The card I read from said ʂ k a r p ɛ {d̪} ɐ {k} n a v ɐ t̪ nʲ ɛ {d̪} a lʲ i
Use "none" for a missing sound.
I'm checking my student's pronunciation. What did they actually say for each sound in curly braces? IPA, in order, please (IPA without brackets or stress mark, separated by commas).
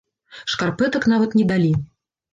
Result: t̪, k, d̪